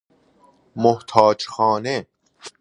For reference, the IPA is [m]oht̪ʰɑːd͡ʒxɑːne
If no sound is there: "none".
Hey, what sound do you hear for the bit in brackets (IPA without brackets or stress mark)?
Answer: m